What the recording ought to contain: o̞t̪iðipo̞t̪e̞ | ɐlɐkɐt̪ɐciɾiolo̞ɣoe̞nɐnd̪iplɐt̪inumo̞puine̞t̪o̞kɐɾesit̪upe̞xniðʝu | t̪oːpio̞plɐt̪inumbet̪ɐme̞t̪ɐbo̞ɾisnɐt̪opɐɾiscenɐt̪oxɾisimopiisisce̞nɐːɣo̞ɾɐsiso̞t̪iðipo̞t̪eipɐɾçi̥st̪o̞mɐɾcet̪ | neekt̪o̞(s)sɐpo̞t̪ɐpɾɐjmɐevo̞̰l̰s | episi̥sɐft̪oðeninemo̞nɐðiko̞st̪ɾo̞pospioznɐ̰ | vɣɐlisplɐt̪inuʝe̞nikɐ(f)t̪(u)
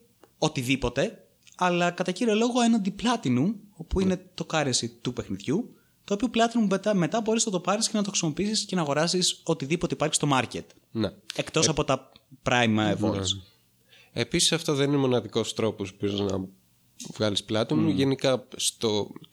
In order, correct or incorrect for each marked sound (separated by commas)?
correct, incorrect, incorrect